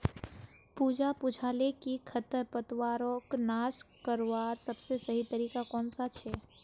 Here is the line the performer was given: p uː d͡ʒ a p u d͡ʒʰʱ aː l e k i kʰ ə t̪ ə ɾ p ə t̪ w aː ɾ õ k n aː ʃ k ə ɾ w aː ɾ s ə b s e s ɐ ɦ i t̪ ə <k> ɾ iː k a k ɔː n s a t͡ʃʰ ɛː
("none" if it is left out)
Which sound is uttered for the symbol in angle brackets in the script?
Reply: none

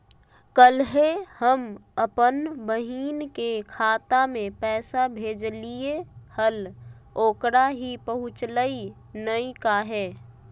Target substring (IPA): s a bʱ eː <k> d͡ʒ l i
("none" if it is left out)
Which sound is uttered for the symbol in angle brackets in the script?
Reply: none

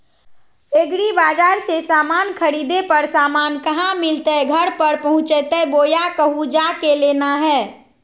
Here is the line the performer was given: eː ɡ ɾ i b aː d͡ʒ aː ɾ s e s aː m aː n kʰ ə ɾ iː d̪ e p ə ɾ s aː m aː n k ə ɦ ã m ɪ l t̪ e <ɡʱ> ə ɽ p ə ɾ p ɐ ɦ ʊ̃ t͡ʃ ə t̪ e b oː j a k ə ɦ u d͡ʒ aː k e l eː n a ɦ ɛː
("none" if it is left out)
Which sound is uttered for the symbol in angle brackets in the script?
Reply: ɡʱ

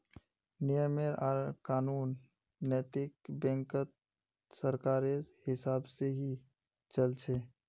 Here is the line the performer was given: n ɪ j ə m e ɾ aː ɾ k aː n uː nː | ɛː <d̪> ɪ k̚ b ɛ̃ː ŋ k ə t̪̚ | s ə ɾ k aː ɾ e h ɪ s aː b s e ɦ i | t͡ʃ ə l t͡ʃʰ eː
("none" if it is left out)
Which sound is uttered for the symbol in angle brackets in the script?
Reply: t̪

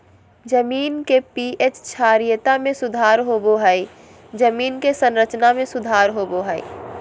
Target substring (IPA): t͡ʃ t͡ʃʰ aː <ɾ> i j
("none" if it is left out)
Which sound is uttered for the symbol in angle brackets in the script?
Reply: ɾ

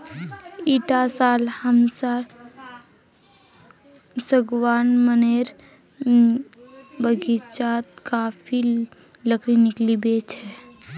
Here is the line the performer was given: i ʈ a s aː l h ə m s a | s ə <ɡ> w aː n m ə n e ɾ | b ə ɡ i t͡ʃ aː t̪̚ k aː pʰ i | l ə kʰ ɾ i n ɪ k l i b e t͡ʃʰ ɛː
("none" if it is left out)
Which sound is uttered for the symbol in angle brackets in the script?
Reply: ɡ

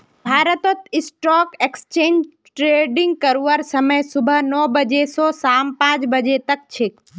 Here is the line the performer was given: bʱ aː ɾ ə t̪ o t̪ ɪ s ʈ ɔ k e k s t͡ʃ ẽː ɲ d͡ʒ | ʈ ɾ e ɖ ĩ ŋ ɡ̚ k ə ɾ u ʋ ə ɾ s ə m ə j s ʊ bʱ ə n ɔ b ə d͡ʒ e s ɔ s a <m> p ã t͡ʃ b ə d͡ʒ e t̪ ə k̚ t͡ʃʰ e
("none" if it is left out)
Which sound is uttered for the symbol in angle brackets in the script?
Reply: m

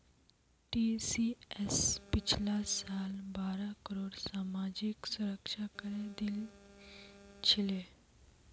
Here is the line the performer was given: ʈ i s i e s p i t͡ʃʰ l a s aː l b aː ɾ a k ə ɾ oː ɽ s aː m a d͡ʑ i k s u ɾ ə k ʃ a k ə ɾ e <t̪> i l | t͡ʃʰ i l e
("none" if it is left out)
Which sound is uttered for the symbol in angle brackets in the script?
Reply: d̪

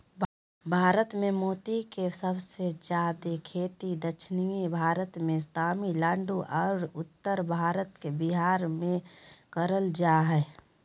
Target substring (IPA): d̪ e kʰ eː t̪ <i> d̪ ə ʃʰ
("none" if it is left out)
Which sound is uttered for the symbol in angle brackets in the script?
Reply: i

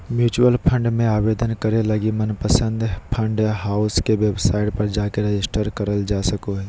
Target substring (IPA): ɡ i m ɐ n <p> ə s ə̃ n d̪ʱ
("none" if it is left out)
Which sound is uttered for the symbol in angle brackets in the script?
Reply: p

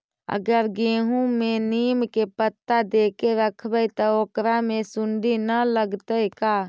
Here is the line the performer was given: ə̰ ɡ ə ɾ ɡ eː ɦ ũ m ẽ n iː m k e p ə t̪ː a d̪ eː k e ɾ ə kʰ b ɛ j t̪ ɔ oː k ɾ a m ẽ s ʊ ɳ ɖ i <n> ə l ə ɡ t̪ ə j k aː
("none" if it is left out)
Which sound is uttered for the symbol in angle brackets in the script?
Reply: n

